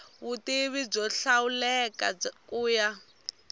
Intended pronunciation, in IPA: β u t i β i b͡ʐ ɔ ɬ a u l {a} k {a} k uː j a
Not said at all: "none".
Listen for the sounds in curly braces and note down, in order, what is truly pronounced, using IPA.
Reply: ɛ, a

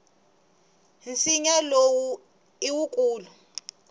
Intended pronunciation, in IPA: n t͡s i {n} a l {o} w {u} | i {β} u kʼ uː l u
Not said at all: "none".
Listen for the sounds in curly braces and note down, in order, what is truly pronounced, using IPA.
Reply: ɲ, o, u, w

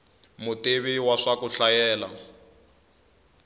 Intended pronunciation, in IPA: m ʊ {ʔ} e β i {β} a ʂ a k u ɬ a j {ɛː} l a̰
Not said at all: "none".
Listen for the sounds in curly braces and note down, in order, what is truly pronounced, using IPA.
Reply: t, w, ɛː

